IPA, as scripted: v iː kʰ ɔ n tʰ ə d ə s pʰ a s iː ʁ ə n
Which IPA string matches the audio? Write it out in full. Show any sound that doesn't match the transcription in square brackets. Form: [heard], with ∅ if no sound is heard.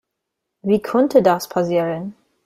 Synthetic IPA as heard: v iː kʰ ɔ n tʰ ə d [a] s pʰ a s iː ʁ ə n